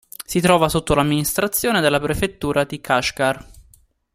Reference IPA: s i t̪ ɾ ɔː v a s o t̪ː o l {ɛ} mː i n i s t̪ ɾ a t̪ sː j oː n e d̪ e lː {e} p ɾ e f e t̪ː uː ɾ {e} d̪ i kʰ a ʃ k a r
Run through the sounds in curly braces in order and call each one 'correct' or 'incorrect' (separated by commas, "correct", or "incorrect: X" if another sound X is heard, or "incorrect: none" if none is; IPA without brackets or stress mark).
incorrect: a, incorrect: a, incorrect: a